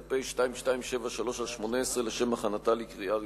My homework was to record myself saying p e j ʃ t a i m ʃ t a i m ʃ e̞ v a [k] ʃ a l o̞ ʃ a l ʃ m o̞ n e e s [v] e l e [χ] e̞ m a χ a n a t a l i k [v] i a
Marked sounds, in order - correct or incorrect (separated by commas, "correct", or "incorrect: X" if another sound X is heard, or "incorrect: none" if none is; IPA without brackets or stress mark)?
incorrect: none, incorrect: ʁ, incorrect: ʃ, incorrect: ʁ